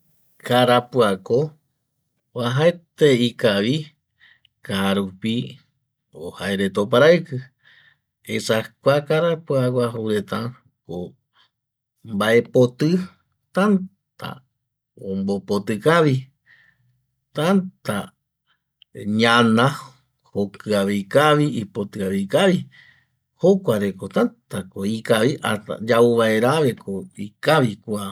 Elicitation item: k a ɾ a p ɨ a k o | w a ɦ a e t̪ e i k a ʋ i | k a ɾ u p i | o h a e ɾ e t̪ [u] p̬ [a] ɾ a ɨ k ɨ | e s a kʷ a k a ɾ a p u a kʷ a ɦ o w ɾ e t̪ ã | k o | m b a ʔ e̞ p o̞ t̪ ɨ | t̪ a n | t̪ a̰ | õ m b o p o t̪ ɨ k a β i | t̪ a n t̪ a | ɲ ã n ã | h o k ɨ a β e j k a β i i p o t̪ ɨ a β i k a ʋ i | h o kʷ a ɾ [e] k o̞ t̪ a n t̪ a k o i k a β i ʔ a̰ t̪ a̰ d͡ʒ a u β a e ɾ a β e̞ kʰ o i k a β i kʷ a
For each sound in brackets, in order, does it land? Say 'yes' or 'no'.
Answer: no, yes, yes

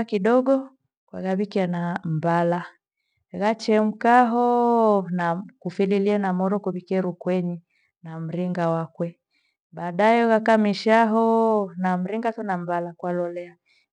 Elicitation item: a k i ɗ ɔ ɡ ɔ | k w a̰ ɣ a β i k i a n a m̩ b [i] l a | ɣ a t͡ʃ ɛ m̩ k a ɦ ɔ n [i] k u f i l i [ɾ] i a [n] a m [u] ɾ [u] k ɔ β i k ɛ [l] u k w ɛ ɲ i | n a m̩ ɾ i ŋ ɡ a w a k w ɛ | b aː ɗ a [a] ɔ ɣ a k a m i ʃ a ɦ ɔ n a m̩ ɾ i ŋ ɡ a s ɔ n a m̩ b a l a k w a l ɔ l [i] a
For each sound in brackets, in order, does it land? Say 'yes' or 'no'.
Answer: no, no, no, yes, no, no, no, no, no

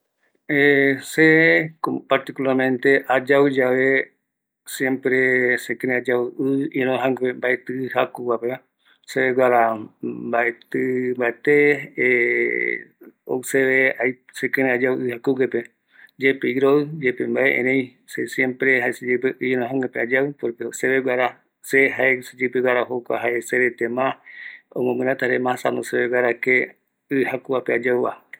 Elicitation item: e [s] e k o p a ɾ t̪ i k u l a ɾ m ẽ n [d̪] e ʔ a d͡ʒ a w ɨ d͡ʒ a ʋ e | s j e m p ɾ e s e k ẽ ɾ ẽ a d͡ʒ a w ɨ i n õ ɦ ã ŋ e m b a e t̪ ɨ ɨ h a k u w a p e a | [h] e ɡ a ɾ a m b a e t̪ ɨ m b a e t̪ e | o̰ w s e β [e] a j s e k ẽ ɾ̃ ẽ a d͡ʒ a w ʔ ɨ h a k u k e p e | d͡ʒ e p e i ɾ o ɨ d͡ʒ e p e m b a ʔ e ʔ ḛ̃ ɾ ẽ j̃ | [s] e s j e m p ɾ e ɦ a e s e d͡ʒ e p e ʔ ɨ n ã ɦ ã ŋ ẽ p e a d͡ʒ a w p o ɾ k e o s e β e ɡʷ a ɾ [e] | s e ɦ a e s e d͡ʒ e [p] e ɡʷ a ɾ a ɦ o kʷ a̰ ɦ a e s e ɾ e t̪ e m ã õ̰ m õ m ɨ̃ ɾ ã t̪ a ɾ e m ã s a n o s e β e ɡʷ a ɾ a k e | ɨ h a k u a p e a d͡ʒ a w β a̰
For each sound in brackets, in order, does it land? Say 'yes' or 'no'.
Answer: yes, no, no, yes, yes, no, yes

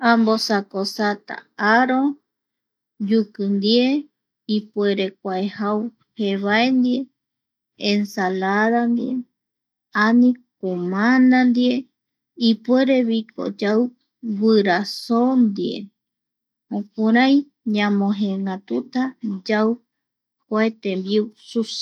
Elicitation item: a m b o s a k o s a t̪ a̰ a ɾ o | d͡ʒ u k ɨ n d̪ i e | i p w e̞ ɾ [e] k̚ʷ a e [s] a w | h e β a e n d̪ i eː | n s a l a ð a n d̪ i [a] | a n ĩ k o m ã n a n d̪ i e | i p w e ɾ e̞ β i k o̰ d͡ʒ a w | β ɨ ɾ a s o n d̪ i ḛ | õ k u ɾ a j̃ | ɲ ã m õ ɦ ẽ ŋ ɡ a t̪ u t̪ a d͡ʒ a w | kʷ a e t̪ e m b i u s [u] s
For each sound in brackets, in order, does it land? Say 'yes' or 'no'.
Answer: yes, no, no, yes

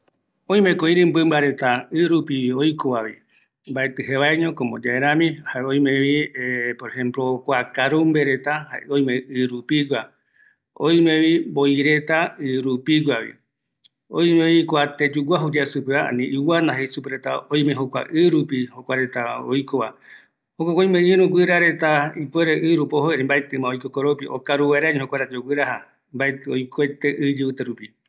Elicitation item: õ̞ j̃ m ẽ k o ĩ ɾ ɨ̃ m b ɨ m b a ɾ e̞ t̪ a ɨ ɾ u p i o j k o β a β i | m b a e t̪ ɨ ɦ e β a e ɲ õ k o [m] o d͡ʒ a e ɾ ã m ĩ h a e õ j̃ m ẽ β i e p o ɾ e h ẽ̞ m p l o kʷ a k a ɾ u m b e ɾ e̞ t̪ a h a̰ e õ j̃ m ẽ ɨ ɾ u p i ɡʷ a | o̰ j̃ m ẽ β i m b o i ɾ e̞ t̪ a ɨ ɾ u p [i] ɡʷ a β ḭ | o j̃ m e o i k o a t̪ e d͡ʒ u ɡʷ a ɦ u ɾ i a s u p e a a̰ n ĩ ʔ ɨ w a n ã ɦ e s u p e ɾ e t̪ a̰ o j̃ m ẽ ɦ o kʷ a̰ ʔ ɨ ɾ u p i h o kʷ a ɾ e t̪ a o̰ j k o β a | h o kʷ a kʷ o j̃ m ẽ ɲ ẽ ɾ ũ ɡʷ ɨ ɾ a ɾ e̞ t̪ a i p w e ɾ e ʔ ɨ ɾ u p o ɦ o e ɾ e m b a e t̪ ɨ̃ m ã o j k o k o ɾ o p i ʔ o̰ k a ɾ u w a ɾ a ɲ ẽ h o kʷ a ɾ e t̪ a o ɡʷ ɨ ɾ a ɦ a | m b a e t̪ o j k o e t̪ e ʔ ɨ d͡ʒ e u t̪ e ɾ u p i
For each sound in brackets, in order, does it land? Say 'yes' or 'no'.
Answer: yes, yes

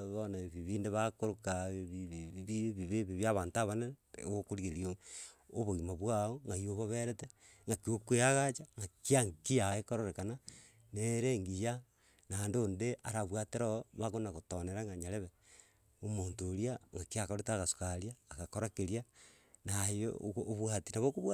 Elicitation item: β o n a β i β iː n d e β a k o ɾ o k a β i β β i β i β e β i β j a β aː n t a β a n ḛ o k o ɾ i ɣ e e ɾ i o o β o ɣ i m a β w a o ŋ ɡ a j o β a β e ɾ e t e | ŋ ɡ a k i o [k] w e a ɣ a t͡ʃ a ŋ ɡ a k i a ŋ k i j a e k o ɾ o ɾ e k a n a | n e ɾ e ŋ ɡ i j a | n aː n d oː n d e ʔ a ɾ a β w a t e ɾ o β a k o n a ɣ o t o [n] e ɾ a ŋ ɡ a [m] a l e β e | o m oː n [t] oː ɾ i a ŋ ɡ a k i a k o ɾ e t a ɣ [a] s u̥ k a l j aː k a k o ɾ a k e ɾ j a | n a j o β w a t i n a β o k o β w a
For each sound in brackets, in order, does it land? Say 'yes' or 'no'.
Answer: yes, yes, no, yes, yes

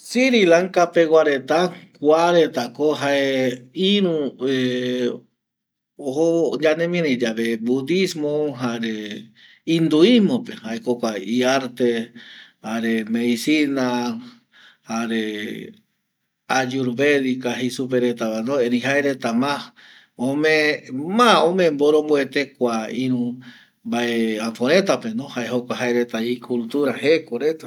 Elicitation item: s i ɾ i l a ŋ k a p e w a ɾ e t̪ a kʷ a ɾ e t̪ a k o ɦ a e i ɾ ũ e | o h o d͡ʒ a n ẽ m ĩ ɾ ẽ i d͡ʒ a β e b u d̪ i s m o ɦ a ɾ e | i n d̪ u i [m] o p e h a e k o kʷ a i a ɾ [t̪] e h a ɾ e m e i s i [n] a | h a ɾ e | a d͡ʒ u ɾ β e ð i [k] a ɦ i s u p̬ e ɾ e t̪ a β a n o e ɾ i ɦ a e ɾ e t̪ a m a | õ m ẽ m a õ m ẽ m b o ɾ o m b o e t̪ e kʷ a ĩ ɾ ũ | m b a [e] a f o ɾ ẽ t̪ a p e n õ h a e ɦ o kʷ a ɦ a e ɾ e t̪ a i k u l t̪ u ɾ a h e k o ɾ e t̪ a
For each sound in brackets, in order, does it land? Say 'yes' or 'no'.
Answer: yes, yes, yes, yes, yes

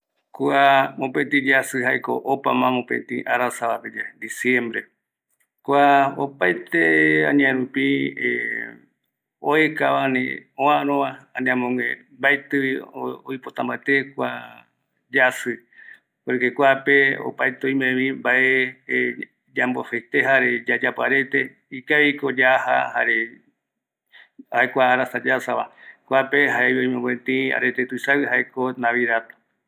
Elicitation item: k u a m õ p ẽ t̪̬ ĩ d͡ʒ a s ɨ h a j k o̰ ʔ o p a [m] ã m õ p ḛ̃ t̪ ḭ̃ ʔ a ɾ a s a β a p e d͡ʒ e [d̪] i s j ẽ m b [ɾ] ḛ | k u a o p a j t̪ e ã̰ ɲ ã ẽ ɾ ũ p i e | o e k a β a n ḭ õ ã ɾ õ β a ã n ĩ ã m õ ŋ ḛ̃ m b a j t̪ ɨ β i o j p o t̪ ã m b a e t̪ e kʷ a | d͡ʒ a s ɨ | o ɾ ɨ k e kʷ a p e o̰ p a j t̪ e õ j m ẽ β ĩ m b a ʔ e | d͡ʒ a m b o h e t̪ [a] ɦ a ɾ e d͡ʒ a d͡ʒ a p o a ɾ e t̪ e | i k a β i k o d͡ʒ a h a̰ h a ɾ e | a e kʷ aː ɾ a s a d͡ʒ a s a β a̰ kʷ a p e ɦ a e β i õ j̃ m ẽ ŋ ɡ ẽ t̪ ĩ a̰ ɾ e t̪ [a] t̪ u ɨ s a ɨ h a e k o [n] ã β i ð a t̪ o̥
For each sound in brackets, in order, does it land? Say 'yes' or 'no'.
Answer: yes, yes, yes, no, no, yes

